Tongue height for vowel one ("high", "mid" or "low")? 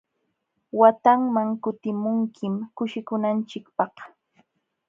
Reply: low